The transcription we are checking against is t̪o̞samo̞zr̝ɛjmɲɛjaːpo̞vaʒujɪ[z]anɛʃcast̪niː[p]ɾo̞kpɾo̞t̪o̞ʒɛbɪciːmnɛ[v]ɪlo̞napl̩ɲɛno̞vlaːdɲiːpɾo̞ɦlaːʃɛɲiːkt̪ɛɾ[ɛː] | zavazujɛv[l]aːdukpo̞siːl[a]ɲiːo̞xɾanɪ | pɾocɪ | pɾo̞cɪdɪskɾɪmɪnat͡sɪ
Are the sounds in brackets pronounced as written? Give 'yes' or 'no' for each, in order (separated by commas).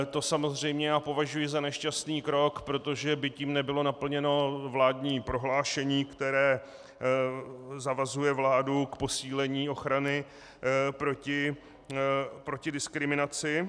yes, no, no, yes, yes, no